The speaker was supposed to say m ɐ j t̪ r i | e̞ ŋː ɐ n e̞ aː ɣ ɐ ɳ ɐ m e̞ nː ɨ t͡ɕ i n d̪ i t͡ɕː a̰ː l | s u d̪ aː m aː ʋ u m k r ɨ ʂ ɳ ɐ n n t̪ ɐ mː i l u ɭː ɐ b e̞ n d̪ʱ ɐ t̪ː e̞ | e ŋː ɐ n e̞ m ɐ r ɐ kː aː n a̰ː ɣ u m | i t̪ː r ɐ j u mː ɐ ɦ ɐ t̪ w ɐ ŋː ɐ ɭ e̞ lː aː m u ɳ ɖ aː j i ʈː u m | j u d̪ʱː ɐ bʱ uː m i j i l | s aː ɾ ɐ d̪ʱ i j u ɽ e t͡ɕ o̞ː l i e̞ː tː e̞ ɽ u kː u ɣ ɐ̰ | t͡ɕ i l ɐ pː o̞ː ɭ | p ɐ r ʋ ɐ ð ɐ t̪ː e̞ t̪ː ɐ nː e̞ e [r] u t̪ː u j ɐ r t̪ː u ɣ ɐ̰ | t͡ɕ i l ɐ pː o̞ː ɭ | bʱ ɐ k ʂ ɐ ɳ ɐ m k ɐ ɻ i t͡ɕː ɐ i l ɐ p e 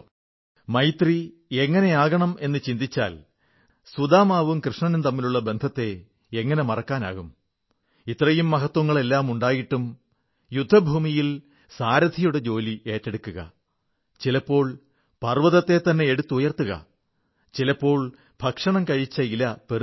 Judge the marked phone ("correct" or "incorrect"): incorrect